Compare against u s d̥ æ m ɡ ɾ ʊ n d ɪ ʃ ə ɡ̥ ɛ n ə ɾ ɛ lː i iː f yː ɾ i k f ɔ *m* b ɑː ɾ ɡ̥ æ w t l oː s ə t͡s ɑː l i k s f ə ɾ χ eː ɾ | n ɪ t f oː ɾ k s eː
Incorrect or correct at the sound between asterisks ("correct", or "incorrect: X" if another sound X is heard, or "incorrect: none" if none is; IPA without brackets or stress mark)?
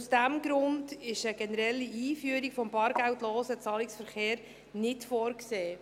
correct